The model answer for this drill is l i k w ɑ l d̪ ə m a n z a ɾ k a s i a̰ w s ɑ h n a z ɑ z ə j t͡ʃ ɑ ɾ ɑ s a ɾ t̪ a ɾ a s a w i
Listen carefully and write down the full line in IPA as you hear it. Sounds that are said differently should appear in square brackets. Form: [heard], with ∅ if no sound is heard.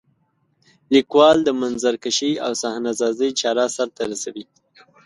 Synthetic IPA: l i k w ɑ l d̪ ə m a n z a ɾ k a [ʃ] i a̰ w s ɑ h n a z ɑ z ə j t͡ʃ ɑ ɾ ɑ s a ɾ t̪ a ɾ a s a w i